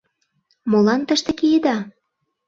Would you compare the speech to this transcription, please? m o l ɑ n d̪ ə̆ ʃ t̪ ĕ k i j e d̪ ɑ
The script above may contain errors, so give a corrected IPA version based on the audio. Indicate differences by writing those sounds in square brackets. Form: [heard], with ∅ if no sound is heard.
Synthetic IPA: m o l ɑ n [t̪] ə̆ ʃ t̪ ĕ k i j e d̪ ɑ